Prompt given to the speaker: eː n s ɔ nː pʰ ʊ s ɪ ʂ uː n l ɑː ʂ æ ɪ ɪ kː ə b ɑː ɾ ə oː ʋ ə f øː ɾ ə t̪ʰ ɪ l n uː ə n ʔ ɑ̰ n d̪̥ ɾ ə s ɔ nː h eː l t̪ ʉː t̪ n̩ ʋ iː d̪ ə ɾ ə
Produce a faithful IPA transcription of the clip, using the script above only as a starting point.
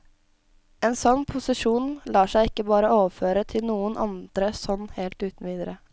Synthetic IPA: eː n s ɔ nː pʰ ʊ s ɪ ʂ uː n l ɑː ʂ æ ɪ ɪ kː ə b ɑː ɾ ə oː ʋ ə f øː ɾ ə t̪ʰ ɪ l n uː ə n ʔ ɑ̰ n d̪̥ ɾ ə s ɔ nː h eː l t̪ ʉː t̪ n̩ ʋ iː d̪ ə ɾ ə